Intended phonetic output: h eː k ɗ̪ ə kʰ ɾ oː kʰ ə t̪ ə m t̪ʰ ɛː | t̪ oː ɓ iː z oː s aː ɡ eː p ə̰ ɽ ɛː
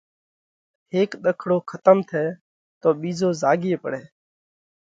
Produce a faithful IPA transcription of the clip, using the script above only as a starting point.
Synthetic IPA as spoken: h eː k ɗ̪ ə kʰ ɽ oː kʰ ə t̪ ə m t̪ʰ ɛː | t̪ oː ɓ iː z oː z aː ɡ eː p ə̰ ɽ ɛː